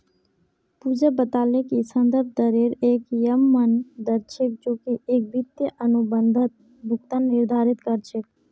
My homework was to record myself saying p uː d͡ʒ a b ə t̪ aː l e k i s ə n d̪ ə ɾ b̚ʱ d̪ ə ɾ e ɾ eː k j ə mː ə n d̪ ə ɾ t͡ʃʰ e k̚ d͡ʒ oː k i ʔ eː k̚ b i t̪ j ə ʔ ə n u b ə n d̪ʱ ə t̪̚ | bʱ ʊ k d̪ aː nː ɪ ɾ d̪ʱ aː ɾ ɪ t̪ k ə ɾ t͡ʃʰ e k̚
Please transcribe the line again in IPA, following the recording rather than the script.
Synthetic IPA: p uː d͡ʒ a b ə t̪ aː l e k i s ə n d̪ ə ɾ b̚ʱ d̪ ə ɾ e ɾ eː k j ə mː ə n d̪ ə ɾ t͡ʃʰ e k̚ d͡ʒ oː k i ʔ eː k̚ b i t̪ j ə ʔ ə n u b ə n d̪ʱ ə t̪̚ | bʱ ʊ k t̪ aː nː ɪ ɾ d̪ʱ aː ɾ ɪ t̪ k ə ɾ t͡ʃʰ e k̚